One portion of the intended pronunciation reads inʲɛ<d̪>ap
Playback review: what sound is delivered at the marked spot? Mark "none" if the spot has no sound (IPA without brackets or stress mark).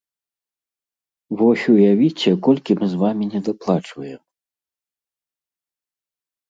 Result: d̪